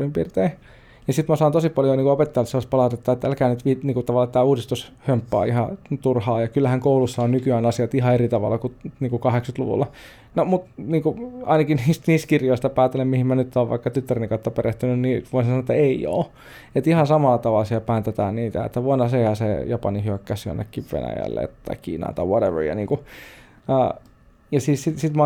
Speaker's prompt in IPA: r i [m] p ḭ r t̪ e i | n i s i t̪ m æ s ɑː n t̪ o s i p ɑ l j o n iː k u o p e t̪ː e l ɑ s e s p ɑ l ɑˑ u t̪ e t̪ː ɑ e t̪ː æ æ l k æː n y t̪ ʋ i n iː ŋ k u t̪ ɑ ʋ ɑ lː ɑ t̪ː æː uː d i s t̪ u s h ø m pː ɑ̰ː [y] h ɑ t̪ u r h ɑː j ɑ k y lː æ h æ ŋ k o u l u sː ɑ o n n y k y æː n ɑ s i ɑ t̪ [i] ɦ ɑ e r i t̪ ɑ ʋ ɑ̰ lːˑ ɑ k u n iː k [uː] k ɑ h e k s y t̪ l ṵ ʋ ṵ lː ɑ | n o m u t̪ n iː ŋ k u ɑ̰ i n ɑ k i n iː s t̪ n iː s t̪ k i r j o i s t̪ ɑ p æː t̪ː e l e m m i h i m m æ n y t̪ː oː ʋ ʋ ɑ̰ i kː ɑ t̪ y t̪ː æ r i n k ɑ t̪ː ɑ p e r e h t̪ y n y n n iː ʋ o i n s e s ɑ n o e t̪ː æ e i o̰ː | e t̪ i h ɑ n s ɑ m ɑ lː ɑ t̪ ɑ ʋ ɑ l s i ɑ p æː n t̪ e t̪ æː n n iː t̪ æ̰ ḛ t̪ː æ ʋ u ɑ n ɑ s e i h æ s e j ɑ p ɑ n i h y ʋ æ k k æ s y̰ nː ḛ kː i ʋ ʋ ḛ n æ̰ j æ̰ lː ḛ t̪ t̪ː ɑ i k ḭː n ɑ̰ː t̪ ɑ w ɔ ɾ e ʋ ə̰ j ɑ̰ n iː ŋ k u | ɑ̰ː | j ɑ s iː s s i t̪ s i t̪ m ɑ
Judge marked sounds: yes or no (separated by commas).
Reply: yes, no, yes, no